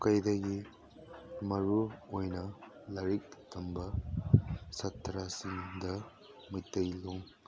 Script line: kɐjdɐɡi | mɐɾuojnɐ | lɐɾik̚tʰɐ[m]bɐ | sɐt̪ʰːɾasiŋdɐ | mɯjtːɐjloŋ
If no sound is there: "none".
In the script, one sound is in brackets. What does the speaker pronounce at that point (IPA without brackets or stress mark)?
m